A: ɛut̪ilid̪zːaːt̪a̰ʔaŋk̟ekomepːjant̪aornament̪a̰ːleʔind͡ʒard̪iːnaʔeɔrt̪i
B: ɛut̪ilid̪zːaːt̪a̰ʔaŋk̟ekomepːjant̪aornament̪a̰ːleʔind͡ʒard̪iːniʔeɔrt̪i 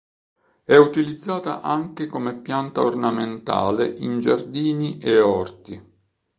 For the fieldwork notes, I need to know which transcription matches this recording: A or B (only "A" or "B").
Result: B